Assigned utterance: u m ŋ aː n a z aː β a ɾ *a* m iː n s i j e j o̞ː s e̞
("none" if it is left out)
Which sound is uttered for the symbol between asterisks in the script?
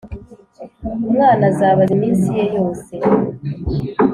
i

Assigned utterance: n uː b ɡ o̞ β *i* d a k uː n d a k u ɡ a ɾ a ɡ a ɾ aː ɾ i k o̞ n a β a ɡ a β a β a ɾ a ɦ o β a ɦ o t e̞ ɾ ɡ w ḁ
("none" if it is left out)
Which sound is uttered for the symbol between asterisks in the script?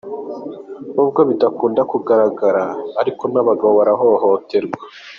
i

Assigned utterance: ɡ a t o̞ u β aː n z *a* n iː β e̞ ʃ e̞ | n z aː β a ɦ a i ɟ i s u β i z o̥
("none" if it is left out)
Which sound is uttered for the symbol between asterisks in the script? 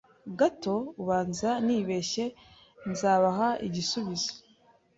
a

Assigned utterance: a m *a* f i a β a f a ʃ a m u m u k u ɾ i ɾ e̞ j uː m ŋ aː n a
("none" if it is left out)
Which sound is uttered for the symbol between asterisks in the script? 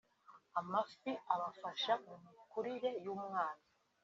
a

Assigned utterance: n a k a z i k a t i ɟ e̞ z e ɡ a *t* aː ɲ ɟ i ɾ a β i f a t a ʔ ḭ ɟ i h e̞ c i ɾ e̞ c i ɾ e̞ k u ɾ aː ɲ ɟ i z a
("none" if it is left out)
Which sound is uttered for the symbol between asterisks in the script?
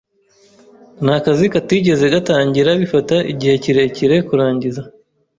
t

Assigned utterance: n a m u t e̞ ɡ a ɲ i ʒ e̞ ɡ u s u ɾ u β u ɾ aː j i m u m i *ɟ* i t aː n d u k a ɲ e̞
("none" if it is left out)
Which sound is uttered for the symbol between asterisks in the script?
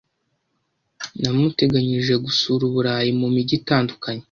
ɟ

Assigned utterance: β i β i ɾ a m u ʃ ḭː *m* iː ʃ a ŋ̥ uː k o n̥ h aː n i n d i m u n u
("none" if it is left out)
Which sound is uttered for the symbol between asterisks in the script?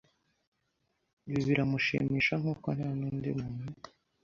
m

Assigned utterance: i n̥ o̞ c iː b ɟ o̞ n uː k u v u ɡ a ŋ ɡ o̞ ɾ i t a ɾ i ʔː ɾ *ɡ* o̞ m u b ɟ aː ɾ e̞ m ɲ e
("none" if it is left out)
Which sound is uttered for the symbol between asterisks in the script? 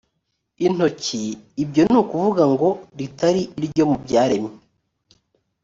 ɟ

